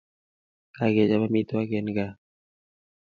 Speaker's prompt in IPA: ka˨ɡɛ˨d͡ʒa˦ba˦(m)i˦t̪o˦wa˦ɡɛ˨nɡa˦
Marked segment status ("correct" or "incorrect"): correct